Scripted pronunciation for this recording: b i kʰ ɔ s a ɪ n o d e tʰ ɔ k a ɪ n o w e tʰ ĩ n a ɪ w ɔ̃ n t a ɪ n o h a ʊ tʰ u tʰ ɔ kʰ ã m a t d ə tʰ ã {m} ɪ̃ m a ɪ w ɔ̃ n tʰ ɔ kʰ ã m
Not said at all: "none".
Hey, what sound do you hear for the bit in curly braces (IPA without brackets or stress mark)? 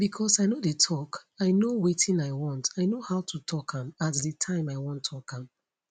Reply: none